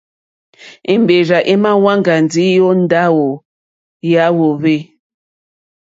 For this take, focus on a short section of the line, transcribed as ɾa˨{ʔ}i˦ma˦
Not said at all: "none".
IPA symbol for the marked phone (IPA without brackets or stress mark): ʔ